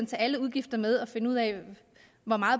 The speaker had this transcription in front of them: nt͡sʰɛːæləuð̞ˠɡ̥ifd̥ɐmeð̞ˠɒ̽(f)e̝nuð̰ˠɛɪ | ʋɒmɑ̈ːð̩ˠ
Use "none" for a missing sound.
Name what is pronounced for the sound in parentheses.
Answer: f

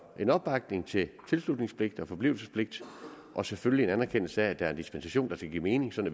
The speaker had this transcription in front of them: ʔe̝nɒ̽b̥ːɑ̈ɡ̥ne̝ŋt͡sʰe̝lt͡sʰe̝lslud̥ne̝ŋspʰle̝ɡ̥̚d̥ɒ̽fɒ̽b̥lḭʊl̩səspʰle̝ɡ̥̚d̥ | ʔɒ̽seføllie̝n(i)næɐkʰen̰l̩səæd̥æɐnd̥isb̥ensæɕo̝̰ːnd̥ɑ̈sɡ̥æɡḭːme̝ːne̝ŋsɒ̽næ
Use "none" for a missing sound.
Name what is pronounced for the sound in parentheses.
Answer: æ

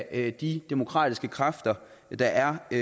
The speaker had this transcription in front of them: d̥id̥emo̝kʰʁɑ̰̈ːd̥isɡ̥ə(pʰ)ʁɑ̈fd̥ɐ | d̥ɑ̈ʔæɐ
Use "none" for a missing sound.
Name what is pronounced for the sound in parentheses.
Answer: kʰ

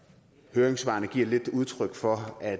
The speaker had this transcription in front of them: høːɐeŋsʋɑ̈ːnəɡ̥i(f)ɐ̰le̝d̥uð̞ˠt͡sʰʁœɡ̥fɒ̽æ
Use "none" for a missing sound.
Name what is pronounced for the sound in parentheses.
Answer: none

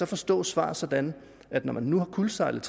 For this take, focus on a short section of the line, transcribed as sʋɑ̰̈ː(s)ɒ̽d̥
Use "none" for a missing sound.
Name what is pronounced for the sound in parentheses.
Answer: s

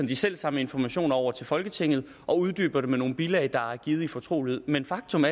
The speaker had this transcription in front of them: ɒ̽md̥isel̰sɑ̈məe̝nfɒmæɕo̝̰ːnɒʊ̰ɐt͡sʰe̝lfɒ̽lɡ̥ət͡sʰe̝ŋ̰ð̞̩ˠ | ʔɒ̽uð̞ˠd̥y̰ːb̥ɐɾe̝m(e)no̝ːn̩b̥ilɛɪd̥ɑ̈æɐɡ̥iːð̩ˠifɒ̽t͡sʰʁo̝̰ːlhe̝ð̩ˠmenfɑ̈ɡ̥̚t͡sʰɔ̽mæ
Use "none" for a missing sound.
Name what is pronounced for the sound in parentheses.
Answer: e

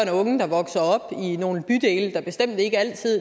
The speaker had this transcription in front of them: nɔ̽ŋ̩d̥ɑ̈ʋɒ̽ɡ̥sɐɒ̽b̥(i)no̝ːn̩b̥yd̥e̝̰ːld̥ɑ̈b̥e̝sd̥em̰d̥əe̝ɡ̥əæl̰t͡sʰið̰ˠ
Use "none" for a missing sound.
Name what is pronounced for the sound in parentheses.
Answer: i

